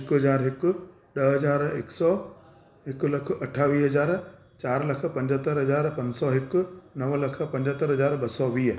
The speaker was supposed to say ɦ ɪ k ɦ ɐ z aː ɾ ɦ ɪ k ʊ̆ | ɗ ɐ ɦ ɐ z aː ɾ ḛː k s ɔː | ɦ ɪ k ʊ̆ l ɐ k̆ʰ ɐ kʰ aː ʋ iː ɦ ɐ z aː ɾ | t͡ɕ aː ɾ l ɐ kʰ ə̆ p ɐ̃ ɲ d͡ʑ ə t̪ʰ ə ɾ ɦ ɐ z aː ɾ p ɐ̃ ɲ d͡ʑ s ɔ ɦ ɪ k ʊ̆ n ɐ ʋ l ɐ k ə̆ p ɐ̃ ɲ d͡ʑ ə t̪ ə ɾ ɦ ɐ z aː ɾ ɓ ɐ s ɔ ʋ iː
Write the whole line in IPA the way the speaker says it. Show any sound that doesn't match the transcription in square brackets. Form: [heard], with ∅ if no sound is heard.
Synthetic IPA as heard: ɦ ɪ k ɦ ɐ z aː ɾ ɦ ɪ k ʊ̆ | ɗ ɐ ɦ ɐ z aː ɾ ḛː k s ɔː | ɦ ɪ k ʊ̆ l ɐ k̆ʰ ɐ [ʈʰ] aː ʋ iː ɦ ɐ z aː ɾ | t͡ɕ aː ɾ l ɐ kʰ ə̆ p ɐ̃ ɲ d͡ʑ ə [t̪] ə ɾ ɦ ɐ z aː ɾ p ɐ̃ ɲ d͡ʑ s ɔ ɦ ɪ k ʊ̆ n ɐ ʋ l ɐ [kʰ] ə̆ p ɐ̃ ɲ d͡ʑ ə t̪ ə ɾ ɦ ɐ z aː ɾ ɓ ɐ s ɔ ʋ iː